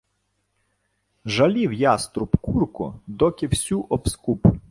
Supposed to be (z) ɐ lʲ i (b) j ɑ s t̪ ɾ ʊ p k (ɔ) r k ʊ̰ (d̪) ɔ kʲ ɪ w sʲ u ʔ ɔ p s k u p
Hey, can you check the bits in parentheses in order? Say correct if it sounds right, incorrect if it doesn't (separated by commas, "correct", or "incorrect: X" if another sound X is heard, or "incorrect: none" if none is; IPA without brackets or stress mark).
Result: incorrect: ʒ, incorrect: w, incorrect: u, correct